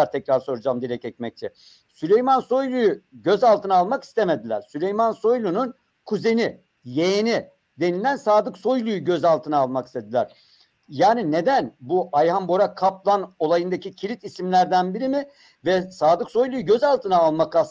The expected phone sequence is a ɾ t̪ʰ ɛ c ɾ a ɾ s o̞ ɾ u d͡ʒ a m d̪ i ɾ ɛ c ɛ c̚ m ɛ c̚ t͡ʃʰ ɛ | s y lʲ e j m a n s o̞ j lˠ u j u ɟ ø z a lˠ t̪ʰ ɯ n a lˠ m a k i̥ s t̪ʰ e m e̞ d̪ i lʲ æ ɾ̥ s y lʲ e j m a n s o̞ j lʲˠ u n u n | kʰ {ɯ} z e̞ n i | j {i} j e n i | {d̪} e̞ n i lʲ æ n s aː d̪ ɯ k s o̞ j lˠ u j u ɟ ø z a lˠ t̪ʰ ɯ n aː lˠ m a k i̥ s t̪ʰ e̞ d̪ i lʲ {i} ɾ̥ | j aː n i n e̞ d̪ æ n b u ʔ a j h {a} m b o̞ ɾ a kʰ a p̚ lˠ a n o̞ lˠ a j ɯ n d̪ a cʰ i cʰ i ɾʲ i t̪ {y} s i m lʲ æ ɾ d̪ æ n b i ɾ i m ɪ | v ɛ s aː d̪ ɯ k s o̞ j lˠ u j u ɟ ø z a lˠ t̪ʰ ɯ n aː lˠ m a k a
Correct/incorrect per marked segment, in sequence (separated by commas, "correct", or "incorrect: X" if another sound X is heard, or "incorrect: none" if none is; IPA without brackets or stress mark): incorrect: u, incorrect: e, correct, incorrect: æ, correct, incorrect: i